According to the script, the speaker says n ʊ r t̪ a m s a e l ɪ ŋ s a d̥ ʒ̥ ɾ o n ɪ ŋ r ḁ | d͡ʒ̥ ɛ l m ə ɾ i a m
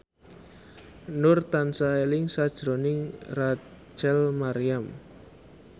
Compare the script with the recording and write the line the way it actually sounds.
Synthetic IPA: n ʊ r t̪ a n s a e l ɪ ŋ s a d̥ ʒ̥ ɾ o n ɪ ŋ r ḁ | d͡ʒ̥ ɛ l m a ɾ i a m